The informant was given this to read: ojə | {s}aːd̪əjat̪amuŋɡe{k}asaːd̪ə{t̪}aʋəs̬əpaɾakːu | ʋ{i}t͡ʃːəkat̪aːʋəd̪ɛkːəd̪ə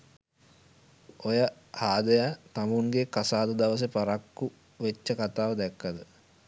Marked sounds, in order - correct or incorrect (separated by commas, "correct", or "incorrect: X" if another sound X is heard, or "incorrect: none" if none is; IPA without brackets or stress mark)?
incorrect: h, correct, incorrect: d̪, incorrect: e